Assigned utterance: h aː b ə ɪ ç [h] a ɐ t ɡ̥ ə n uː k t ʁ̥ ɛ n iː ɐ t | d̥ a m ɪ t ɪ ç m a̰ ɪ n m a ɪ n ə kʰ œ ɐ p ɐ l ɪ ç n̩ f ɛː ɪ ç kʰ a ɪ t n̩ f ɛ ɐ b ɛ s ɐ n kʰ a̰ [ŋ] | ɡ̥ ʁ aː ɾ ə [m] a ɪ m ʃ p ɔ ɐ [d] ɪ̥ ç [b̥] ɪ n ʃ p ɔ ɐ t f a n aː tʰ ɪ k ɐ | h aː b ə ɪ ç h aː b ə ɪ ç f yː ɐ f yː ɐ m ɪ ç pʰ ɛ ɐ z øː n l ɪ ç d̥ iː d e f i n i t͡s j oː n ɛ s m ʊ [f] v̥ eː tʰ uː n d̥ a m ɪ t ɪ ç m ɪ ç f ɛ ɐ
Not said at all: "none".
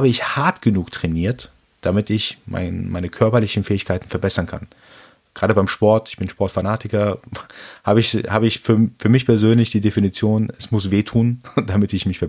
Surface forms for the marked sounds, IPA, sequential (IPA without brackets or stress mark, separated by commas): h, n, b, t, b̥, s